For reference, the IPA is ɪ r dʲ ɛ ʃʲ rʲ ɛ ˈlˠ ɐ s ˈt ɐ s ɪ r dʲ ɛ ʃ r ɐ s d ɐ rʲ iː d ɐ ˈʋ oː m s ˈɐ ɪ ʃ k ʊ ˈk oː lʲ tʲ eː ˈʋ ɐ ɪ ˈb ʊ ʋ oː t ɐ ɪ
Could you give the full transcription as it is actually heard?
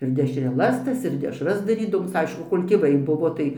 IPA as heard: ɪ r dʲ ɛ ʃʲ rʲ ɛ ˈlˠ ɐ s ˈt ɐ s ɪ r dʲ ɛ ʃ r ɐ s d ɐ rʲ iː d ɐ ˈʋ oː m s ˈɐ ɪ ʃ k ʊ ˈk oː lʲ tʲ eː ˈʋ ɐ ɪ ˈb ʊ ʋ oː t ɐ ɪ